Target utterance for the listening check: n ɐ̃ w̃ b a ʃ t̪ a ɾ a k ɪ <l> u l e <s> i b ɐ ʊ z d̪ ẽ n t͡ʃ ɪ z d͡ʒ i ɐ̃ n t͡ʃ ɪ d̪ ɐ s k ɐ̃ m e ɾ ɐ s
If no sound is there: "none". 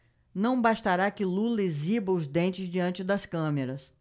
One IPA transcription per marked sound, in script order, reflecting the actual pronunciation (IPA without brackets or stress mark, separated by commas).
l, z